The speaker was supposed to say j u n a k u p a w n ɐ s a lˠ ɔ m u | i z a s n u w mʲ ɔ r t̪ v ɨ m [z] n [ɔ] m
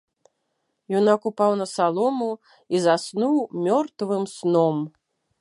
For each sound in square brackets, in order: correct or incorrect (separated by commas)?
incorrect, correct